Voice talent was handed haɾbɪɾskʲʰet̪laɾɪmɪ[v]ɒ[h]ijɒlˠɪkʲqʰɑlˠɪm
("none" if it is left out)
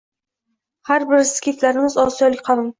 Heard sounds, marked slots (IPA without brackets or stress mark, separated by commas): z, s